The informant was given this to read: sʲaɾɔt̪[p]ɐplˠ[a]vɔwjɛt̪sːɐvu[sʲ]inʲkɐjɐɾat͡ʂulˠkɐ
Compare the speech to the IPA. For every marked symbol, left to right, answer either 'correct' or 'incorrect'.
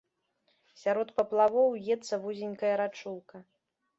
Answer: correct, correct, incorrect: zʲ

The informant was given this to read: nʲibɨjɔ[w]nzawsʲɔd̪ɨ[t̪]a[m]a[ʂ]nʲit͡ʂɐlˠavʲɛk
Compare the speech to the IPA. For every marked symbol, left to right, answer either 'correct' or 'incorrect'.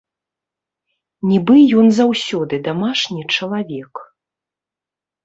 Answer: incorrect: none, incorrect: d̪, correct, correct

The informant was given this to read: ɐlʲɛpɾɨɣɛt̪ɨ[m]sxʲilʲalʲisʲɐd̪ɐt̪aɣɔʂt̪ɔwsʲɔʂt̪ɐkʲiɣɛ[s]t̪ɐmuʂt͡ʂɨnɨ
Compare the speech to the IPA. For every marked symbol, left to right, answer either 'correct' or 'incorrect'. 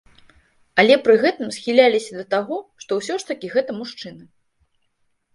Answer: correct, incorrect: none

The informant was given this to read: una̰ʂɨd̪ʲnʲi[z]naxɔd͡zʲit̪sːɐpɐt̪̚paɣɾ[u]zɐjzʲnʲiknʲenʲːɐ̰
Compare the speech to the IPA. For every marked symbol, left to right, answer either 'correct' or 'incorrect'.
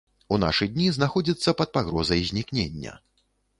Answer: correct, incorrect: ɔ

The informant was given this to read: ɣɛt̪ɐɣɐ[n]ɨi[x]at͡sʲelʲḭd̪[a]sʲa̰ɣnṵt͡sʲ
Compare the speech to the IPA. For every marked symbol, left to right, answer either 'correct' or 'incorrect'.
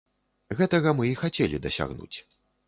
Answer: incorrect: m, correct, incorrect: ɐ

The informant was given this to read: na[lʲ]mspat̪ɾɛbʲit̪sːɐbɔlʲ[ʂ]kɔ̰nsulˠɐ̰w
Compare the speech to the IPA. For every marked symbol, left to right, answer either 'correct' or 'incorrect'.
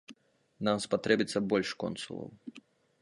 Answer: incorrect: none, correct

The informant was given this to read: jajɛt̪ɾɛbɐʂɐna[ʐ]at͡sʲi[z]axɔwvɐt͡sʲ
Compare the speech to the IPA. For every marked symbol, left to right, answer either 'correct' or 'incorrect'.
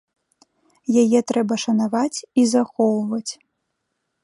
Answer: incorrect: v, correct

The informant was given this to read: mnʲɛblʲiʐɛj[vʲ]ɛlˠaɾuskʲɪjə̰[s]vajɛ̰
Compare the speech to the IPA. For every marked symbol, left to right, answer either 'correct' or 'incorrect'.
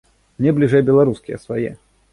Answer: incorrect: bʲ, correct

